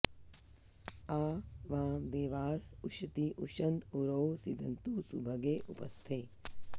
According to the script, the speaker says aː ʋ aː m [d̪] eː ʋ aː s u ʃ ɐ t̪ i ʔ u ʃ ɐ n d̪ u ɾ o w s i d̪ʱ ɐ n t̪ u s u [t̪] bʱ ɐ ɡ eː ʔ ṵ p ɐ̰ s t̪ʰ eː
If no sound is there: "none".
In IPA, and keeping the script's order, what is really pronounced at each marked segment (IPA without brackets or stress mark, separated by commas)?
d̪, none